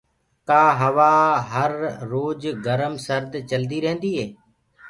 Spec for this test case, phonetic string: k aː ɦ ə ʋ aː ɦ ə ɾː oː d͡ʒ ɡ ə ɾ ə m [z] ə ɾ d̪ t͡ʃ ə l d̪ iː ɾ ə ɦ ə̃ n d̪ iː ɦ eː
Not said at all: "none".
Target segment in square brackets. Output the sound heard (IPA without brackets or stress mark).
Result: s